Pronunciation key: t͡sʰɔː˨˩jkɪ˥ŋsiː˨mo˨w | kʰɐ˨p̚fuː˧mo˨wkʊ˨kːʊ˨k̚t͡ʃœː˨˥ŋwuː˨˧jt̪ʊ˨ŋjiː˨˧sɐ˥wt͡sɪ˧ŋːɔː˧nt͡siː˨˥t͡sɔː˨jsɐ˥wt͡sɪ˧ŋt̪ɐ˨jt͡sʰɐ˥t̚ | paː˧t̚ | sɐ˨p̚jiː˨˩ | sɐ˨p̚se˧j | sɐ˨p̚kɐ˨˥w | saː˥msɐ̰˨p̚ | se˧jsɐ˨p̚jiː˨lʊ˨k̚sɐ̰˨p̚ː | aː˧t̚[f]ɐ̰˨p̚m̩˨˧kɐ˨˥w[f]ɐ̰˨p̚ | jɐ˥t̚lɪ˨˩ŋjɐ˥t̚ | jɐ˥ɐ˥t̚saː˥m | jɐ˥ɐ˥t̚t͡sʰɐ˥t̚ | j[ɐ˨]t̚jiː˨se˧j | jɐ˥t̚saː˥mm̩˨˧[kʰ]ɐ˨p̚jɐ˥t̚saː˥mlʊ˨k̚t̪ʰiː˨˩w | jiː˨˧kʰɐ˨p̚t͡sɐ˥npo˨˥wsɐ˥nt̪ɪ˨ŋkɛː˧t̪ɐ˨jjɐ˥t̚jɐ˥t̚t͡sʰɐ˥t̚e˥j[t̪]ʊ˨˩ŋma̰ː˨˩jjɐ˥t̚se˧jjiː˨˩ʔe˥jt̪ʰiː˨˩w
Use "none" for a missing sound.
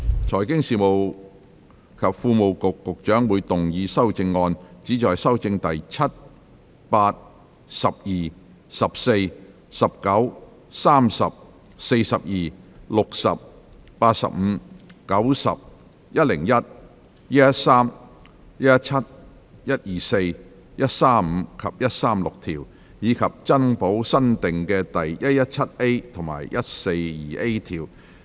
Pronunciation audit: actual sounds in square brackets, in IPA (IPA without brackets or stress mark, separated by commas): s, s, ɐ˥, kʰ, t̪ʰ